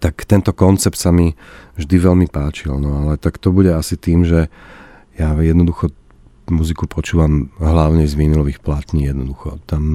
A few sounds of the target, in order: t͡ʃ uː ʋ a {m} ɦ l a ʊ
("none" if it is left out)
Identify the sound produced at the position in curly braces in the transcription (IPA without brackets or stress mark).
m